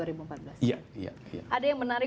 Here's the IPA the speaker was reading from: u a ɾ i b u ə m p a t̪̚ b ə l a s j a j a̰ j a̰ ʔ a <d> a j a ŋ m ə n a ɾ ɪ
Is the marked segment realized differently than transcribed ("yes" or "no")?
no